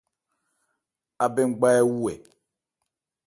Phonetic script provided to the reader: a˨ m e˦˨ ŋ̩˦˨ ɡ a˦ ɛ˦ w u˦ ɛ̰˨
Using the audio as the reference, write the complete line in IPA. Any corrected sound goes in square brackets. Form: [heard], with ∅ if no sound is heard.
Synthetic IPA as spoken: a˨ [b] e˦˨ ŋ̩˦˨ [ɡ͡b] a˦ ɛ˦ w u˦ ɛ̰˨